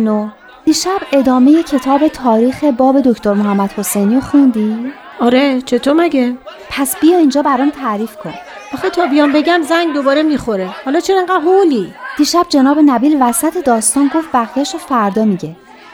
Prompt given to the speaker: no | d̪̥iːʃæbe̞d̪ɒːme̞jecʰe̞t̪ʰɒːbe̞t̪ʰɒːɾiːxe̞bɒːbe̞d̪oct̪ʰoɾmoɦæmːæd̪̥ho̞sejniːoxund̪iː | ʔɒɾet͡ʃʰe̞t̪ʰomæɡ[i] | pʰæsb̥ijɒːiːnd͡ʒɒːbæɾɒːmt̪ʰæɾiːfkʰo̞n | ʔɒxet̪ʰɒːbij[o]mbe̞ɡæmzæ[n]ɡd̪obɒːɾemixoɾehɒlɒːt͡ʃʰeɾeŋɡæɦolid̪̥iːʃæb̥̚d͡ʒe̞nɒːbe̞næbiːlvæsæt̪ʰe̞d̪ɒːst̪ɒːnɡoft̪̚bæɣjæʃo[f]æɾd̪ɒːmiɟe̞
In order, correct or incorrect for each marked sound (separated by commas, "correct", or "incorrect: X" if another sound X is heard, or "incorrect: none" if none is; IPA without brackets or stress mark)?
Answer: incorrect: e, incorrect: ɒ, incorrect: ŋ, correct